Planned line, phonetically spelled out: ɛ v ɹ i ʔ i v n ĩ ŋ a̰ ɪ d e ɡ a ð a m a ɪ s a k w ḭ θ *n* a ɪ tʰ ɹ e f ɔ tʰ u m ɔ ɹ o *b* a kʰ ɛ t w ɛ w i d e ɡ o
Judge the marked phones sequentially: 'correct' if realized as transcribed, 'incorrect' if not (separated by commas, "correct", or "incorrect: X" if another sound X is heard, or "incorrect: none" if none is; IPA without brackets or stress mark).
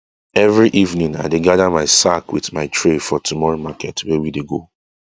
incorrect: m, incorrect: m